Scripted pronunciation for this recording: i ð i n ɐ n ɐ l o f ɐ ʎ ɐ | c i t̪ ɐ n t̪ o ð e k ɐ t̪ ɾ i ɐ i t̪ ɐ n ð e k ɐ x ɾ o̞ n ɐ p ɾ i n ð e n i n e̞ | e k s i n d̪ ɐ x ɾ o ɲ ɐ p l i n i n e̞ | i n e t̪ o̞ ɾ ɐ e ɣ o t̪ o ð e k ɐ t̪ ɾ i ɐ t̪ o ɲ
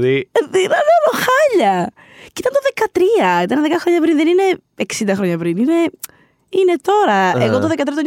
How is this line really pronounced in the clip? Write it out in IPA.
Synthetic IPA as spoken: i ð i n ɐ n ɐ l o x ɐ ʎ ɐ | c i t̪ ɐ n t̪ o ð e k ɐ t̪ ɾ i ɐ i t̪ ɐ n ð e k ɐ x ɾ o̞ ɲ ɐ p ɾ i n ð e n i n e̞ | e k s i n d̪ ɐ x ɾ o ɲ ɐ p ɾ i n i n e̞ | i n e t̪ o̞ ɾ ɐ e ɣ o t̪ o ð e k ɐ t̪ ɾ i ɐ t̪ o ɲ